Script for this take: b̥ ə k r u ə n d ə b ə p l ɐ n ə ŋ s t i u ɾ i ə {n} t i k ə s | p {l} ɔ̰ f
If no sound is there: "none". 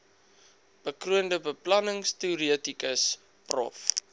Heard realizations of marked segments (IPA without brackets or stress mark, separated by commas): none, r